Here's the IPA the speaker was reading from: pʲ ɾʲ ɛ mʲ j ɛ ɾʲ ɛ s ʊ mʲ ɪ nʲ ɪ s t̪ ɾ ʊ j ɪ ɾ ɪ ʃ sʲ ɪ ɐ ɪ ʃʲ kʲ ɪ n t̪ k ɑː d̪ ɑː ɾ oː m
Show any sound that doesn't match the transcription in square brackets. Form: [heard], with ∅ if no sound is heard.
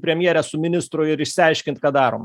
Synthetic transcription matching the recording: pʲ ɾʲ ɛ mʲ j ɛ ɾʲ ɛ s ʊ mʲ ɪ nʲ ɪ s t̪ ɾ ʊ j ɪ ɾ ɪ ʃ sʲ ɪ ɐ ɪ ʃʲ kʲ ɪ n t̪ k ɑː d̪ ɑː ɾ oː m